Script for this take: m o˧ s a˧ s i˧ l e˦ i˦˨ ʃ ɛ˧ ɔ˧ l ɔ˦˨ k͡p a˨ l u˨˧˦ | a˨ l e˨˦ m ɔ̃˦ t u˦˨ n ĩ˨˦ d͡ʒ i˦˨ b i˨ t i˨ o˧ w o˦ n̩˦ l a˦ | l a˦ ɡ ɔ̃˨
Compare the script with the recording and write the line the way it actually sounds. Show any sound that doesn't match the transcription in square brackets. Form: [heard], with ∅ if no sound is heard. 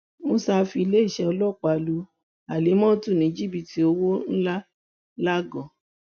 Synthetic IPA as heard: m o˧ s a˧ [f] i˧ l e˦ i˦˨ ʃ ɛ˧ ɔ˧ l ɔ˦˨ k͡p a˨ l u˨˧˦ | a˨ l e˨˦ m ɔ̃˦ t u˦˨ n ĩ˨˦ d͡ʒ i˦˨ b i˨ t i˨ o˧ w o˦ n̩˦ l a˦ | l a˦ ɡ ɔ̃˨